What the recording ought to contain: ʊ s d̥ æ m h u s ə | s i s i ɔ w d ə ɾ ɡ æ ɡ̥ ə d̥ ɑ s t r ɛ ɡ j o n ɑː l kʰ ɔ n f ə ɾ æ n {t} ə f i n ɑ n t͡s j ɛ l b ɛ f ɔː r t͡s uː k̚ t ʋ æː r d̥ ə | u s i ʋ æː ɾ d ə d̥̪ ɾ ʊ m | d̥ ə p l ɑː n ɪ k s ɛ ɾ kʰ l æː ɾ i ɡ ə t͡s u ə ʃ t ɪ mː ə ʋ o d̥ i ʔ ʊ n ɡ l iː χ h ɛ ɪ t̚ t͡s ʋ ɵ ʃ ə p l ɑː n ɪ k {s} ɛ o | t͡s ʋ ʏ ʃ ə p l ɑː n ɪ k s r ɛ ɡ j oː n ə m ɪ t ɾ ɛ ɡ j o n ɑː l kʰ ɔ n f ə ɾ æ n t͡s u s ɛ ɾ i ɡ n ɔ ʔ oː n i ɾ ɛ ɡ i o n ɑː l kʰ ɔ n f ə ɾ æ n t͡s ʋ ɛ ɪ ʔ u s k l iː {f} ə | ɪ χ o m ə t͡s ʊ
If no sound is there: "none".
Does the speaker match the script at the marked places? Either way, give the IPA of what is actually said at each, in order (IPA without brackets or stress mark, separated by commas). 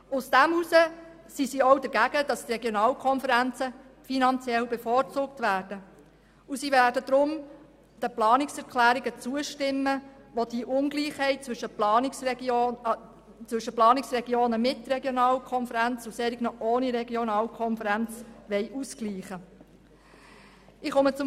t͡s, s, χ